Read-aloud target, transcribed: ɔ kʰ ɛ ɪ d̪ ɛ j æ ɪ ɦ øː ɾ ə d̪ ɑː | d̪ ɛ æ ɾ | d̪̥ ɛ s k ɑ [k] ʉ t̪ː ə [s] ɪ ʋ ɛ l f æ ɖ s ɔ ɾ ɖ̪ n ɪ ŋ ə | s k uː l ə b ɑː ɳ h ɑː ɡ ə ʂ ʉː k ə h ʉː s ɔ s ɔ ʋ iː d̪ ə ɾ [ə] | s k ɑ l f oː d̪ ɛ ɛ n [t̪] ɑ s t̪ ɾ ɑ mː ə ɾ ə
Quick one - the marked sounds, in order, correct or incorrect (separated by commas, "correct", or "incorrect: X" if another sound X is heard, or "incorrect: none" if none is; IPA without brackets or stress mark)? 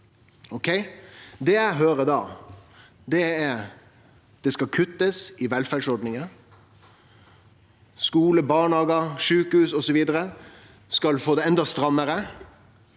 incorrect: kʰ, correct, correct, incorrect: d̪